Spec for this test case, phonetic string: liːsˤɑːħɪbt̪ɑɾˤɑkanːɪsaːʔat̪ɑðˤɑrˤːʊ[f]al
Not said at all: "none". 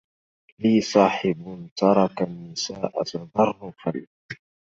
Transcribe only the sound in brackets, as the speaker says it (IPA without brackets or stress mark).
f